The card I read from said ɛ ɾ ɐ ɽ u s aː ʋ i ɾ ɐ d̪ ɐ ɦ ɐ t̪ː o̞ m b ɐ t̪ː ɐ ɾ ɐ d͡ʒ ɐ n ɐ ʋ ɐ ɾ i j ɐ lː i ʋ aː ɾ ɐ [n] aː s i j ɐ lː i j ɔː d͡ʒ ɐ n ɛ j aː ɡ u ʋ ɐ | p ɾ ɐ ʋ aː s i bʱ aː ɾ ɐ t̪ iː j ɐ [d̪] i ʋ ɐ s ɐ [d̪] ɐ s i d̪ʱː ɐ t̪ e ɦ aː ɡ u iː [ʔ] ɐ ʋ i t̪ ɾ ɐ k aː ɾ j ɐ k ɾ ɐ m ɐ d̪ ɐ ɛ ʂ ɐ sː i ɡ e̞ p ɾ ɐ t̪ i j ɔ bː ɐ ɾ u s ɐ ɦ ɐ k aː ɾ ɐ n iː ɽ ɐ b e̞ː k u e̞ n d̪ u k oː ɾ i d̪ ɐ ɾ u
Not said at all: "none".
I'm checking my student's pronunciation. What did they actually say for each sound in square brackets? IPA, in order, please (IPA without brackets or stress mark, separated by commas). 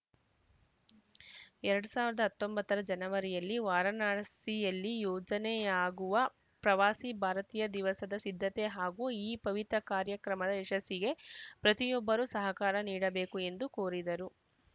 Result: n, d̪, d̪, p